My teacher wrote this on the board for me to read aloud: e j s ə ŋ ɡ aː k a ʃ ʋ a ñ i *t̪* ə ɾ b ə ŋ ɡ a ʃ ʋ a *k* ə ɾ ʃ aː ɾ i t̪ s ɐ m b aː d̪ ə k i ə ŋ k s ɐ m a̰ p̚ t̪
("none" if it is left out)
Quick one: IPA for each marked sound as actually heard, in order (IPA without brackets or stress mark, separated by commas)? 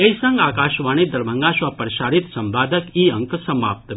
d̪, p